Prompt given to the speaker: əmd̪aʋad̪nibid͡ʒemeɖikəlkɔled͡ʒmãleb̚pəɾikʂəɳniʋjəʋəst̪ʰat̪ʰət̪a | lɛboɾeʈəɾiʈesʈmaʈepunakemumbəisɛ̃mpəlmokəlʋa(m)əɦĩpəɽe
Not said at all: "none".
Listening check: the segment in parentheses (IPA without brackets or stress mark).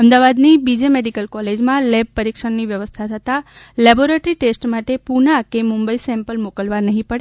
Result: n